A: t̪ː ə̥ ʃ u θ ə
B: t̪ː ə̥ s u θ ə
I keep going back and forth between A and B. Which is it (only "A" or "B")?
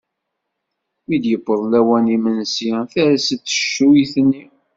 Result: A